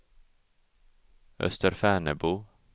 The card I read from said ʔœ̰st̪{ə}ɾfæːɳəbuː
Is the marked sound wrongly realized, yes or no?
no